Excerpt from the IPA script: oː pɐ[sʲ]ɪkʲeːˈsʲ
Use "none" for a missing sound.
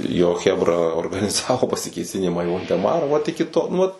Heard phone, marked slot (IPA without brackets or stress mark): sʲ